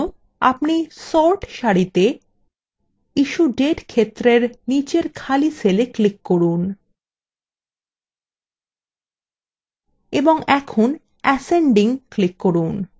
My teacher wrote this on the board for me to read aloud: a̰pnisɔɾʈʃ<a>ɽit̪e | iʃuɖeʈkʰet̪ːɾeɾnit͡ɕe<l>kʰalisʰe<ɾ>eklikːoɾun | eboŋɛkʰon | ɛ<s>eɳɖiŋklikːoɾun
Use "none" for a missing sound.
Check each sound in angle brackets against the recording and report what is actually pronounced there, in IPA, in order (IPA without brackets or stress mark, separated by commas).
a, ɾ, l, s